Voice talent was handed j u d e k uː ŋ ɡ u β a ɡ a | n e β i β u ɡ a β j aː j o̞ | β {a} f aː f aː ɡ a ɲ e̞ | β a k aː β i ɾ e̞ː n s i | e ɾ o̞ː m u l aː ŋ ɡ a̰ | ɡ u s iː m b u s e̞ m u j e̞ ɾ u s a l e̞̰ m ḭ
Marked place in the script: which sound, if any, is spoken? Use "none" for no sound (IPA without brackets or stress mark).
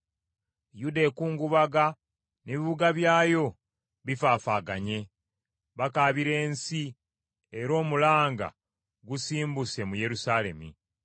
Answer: i